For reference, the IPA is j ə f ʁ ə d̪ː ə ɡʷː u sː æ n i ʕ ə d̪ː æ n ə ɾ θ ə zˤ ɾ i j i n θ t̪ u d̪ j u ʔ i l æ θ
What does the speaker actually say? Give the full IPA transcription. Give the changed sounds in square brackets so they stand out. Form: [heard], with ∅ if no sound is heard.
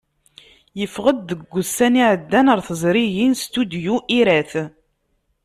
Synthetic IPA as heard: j ə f ʁ ə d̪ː ə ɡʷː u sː æ n i ʕ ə d̪ː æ n ə ɾ θ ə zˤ ɾ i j i n [s] t̪ u d̪ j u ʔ i [ɾ] æ θ